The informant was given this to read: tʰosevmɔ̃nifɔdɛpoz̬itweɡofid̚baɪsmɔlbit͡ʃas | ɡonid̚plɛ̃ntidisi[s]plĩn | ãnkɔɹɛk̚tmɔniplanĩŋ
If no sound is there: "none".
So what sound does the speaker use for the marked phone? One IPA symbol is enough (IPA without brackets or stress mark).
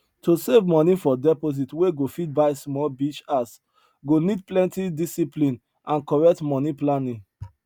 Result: none